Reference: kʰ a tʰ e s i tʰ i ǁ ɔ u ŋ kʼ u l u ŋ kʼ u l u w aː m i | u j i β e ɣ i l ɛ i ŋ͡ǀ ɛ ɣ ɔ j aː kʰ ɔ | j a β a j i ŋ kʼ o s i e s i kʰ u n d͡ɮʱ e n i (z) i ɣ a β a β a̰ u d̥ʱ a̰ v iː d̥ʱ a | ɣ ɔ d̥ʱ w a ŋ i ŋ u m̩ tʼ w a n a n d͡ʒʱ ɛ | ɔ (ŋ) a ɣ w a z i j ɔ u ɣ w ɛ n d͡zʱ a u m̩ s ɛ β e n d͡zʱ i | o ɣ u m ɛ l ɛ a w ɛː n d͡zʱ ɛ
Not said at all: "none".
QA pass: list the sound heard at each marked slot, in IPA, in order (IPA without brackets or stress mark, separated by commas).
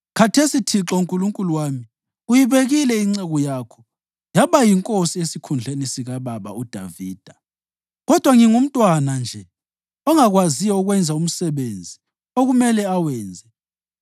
s, ŋ